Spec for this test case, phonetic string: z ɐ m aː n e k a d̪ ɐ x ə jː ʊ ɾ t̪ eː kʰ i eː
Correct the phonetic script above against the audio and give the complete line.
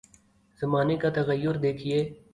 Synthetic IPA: z ɐ m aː n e k a t̪ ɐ ɣ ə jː ʊ ɾ d̪ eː kʰ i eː

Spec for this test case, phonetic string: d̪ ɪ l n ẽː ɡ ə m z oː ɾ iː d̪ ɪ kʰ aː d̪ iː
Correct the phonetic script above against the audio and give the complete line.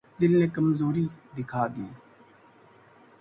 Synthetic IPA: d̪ ɪ l n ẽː k ə m z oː ɾ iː d̪ ɪ kʰ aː d̪ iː

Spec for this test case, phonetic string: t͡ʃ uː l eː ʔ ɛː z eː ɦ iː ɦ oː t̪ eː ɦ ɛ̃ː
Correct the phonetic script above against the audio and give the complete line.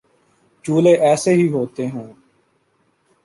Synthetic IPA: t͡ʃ uː l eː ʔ ɛː s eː ɦ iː ɦ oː t̪ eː ɦ ɛ̃ː

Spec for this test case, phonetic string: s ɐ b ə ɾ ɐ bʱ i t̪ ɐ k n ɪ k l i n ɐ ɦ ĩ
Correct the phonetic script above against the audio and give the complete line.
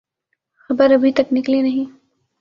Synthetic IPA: x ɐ b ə ɾ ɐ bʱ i t̪ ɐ k n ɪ k l i n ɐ ɦ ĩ

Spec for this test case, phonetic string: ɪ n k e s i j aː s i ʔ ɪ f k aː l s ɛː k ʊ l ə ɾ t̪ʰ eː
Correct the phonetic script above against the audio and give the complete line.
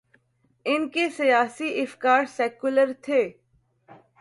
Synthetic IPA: ɪ n k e s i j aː s i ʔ ɪ f k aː ɾ s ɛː k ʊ l ə ɾ t̪ʰ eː

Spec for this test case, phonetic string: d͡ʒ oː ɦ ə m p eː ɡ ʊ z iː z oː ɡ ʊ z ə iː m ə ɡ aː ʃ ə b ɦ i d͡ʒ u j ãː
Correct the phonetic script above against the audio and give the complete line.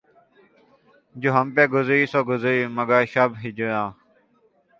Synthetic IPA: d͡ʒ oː ɦ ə m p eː ɡ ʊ z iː s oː ɡ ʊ z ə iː m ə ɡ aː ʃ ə b ɦ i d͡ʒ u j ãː

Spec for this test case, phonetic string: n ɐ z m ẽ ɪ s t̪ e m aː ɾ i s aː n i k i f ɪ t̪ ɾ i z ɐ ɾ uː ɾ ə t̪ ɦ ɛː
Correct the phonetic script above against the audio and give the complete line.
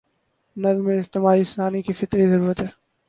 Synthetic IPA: n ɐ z m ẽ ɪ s t̪ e m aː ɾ i s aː n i k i f ɪ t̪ ɾ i z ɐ ɾ uː ɾ ə t̪ ɦ ɛː

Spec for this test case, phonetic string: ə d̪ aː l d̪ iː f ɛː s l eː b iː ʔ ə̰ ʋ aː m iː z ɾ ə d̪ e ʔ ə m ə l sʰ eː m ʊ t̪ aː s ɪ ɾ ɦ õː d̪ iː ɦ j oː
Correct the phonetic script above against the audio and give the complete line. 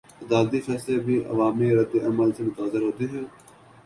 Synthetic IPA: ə d̪ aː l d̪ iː f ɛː s l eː b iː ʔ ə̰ ʋ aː m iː ɾ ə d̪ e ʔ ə m ə l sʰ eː m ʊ t̪ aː z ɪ ɾ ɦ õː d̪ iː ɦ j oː

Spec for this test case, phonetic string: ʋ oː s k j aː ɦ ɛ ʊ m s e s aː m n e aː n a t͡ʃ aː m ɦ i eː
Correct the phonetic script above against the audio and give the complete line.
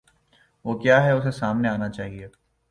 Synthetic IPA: ʋ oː k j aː ɦ ɛ ʊ s e s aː m n e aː n a t͡ʃ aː ɦ i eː

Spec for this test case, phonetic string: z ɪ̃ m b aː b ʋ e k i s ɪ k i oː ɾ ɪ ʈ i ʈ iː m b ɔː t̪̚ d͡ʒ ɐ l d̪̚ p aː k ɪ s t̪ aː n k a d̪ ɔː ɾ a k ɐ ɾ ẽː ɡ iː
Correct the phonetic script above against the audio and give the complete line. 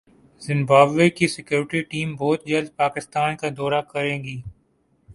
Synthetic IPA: z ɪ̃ m b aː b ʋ e k i s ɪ k j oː ɾ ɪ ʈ i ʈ iː m b ɔː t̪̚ d͡ʒ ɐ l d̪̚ p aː k ɪ s t̪ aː n k a d̪ ɔː ɾ a k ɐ ɾ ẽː ɡ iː

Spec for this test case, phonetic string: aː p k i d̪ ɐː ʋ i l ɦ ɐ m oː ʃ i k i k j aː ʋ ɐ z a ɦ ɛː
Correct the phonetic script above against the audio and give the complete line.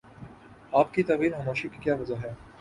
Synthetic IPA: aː p k i t̪ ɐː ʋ iː l ɦ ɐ m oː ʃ i k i k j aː ʋ ɐ z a ɦ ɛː

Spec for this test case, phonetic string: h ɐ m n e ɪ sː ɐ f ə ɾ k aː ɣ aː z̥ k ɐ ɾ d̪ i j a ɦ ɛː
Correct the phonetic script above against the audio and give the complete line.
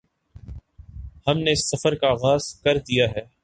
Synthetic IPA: h ɐ m n e ɪ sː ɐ f ə ɾ k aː ɣ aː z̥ k ɐ ɾ d̪ i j a ɦ ɛː

